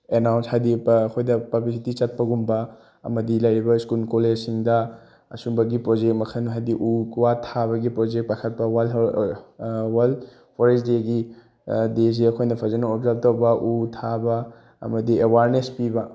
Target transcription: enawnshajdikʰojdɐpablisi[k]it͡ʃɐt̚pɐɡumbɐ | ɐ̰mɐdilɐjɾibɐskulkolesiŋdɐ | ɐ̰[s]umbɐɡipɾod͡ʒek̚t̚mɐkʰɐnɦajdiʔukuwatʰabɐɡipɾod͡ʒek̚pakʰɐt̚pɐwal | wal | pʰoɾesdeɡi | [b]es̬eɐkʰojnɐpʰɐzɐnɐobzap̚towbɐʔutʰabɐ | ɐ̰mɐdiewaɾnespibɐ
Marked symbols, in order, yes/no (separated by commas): no, yes, no